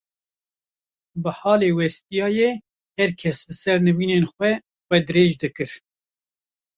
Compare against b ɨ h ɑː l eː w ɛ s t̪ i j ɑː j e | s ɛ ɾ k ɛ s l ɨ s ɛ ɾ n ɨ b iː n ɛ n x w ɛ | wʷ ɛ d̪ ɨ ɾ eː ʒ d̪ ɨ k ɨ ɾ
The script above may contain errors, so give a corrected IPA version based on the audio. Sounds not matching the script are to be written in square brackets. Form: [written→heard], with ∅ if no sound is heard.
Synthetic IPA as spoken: b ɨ h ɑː l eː w ɛ s t̪ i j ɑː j e | [s→h] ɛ ɾ [k→kʰ] ɛ s l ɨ s ɛ ɾ n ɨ [b→v] iː n [ɛ→e] n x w ɛ | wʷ ɛ d̪ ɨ ɾ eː ʒ d̪ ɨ k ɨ ɾ